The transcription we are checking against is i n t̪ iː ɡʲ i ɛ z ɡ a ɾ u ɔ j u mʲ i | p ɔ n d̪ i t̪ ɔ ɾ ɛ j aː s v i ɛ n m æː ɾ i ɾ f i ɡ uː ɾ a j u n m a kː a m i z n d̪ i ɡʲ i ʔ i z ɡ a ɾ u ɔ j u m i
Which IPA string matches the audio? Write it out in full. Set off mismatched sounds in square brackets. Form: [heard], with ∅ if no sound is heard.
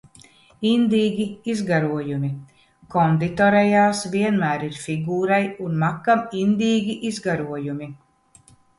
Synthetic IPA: i n [d̪] iː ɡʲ i [i] z ɡ a ɾ u ɔ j u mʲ i | [k] ɔ n d̪ i t̪ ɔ ɾ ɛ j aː s v i ɛ n m æː ɾ i ɾ f i ɡ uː ɾ a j u n m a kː a m i [∅] n d̪ [iː] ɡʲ i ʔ i z ɡ a ɾ u ɔ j u m i